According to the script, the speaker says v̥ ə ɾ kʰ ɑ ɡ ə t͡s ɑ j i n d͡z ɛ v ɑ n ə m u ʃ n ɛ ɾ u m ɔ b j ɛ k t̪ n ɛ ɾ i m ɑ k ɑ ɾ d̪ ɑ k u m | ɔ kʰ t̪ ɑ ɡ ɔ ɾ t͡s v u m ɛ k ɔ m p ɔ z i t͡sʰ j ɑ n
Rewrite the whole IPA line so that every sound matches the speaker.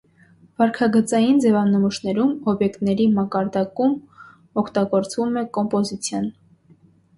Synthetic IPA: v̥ ɑ ɾ kʰ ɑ ɡ ə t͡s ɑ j i n d͡z ɛ v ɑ n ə m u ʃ n ɛ ɾ u m ɔ b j ɛ k t̪ n ɛ ɾ i m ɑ k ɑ ɾ d̪ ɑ k u m | ɔ kʰ t̪ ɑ ɡ ɔ ɾ t͡s v u m ɛ k ɔ m p ɔ z i t͡sʰ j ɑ n